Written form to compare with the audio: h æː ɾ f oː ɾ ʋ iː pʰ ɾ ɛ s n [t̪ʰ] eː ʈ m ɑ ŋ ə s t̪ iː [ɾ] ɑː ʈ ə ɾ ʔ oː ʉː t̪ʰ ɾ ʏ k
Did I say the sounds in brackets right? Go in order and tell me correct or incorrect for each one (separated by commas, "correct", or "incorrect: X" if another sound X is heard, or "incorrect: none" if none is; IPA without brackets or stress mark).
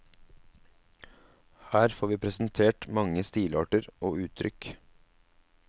correct, incorrect: l